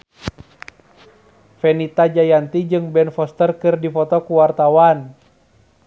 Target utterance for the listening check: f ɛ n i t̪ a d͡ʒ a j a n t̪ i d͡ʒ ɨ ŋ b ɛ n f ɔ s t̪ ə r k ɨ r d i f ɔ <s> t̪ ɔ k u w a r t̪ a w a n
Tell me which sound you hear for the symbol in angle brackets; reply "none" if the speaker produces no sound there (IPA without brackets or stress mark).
none